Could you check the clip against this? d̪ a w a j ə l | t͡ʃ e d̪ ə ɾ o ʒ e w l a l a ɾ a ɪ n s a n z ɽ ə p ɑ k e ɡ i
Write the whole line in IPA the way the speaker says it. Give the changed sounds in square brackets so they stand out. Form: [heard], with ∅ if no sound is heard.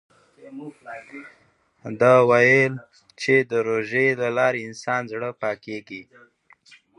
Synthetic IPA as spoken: d̪ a w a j ə l | t͡ʃ e d̪ ə ɾ o ʒ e [∅] l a l [ɑ] ɾ [e] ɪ n s [ɑ] n z ɽ ə p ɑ k e ɡ i